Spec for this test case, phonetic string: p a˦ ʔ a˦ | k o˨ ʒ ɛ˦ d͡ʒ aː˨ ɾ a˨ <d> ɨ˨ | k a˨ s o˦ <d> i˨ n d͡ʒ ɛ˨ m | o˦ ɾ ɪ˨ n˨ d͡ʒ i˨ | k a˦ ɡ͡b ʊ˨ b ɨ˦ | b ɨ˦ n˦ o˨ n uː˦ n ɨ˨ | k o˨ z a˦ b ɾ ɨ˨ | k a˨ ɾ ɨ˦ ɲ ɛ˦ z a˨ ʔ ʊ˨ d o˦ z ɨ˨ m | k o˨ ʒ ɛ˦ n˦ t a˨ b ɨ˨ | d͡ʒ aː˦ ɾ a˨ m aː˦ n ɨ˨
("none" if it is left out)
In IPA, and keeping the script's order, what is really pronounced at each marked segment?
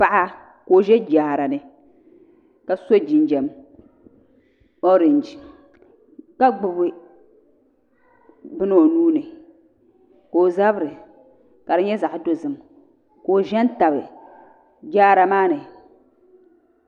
n, d͡ʒ

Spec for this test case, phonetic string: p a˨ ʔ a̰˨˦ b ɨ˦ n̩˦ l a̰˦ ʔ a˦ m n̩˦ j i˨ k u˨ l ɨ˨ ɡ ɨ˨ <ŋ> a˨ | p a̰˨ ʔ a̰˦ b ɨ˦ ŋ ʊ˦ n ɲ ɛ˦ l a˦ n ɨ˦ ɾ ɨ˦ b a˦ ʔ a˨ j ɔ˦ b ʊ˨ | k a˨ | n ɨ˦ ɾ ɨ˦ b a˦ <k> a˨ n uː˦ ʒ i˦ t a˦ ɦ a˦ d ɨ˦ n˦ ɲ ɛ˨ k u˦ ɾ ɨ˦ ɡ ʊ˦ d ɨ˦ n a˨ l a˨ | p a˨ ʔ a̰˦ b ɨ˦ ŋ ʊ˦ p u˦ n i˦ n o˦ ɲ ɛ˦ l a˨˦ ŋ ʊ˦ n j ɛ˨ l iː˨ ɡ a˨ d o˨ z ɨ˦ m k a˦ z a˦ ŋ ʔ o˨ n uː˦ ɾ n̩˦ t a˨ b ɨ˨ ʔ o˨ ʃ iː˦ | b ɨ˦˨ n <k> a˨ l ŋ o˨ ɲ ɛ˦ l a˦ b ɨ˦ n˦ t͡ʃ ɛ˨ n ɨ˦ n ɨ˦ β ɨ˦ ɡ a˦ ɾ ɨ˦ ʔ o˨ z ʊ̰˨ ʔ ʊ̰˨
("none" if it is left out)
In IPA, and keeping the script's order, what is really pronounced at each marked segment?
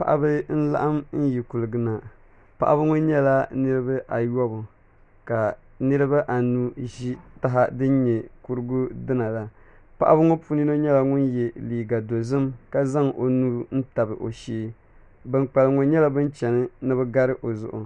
n, ʔ, k͡p

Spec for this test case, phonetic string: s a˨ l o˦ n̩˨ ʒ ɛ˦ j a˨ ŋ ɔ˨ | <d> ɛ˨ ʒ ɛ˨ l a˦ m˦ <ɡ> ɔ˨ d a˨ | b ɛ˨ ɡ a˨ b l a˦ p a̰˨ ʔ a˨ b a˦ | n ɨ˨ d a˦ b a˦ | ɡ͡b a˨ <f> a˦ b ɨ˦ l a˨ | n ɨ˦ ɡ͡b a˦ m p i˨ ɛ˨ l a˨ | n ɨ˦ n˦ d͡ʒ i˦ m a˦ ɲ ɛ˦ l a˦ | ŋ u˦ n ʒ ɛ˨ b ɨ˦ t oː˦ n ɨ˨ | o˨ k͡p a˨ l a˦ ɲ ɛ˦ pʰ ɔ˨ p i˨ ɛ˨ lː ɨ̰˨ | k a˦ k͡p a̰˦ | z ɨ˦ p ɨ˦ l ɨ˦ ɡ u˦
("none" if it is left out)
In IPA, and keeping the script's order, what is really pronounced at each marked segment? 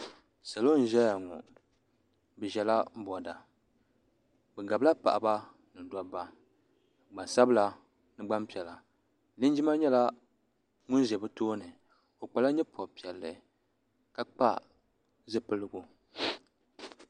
b, b, s

